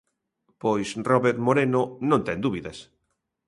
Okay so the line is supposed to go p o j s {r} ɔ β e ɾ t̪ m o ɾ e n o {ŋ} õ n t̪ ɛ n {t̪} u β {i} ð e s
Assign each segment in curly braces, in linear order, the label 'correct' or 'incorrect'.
correct, incorrect: n, incorrect: d̪, correct

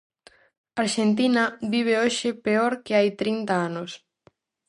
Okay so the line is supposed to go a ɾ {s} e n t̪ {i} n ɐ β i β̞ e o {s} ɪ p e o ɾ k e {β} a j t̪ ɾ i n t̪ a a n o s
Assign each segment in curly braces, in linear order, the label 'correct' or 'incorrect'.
incorrect: ʃ, correct, incorrect: ʃ, incorrect: none

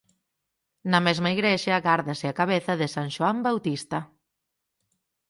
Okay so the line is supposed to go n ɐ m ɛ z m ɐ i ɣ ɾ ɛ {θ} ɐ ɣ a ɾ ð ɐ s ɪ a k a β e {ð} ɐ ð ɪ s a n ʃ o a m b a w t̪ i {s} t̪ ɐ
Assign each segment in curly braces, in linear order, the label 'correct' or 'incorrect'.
incorrect: ʃ, incorrect: θ, correct

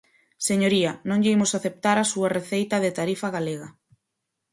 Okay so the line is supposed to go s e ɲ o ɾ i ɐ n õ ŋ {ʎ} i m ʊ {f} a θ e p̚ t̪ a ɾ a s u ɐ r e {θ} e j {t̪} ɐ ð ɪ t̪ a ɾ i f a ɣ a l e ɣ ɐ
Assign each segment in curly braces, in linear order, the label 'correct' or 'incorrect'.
correct, incorrect: s, correct, correct

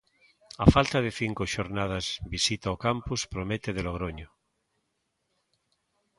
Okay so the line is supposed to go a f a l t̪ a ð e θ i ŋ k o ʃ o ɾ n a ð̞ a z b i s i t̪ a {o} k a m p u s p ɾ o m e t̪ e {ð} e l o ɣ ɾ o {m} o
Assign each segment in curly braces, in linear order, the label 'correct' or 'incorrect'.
correct, correct, incorrect: ɲ

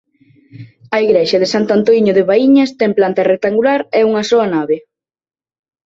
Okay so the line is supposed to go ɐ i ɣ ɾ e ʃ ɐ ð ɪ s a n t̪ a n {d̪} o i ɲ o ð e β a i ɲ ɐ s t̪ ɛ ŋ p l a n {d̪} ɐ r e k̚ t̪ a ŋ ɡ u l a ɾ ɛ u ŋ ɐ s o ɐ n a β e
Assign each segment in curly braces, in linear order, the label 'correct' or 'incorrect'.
incorrect: t̪, incorrect: t̪

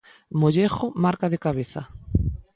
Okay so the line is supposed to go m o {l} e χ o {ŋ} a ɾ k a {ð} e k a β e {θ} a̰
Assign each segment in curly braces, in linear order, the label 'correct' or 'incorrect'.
incorrect: ʎ, incorrect: m, correct, correct

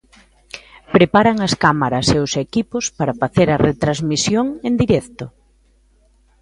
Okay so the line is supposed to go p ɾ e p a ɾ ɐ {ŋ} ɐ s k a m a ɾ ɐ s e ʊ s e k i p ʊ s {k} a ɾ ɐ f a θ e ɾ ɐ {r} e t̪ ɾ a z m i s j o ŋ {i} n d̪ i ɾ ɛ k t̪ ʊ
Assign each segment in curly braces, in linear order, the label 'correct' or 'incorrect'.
correct, incorrect: p, correct, incorrect: e

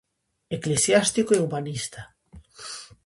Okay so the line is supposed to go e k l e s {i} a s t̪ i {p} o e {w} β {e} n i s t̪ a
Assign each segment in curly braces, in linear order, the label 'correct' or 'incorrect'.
incorrect: j, incorrect: k, incorrect: u, incorrect: a

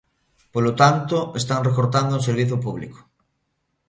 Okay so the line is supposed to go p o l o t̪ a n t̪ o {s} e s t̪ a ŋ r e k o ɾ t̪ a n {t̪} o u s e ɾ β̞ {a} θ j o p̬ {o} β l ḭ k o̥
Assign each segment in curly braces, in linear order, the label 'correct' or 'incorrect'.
incorrect: none, incorrect: d̪, incorrect: i, incorrect: u

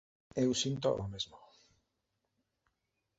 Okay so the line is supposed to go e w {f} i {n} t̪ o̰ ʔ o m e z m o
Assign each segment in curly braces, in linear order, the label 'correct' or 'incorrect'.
incorrect: s, correct

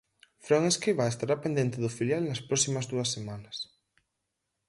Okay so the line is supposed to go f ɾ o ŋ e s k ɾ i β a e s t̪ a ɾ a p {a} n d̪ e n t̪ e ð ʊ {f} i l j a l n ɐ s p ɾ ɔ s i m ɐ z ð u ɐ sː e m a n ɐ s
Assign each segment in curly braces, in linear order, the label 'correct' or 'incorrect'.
incorrect: e, correct

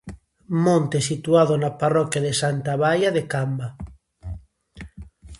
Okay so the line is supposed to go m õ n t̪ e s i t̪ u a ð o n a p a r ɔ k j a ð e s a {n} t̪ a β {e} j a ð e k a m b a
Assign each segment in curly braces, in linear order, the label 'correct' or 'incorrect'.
correct, incorrect: a

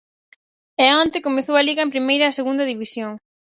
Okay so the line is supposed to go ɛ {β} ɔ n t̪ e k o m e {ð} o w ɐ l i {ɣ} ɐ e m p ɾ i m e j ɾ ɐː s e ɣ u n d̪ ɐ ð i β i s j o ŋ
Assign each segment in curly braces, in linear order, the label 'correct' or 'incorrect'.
incorrect: none, incorrect: θ, correct

